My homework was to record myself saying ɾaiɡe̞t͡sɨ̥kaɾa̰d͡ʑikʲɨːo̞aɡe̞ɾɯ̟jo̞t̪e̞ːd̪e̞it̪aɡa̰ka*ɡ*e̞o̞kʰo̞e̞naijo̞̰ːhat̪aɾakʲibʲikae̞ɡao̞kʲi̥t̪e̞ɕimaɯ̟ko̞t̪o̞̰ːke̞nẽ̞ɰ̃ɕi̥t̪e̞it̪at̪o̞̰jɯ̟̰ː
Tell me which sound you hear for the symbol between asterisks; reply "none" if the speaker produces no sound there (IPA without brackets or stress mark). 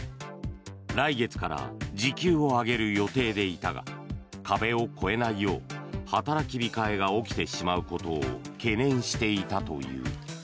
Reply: b